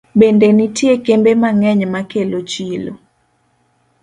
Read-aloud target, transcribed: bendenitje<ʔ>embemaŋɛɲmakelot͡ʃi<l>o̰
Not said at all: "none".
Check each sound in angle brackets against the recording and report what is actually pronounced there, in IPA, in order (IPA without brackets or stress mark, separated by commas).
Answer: k, l